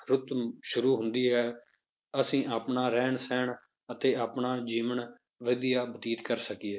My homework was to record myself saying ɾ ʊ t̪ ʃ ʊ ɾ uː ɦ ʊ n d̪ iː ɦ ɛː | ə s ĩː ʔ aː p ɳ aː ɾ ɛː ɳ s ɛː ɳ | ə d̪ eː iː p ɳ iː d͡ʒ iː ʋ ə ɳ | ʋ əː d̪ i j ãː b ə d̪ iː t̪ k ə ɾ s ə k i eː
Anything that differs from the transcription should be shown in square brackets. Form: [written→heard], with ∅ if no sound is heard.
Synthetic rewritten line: ɾ ʊ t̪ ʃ ʊ ɾ uː ɦ ʊ n d̪ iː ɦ ɛː | ə s ĩː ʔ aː p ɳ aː ɾ ɛː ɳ s ɛː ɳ | ə [d̪→t̪] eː [iː→aː] p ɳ [iː→aː] d͡ʒ iː ʋ ə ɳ | ʋ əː d̪ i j [ãː→aː] b ə [d̪→t̪] iː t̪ k ə ɾ s ə k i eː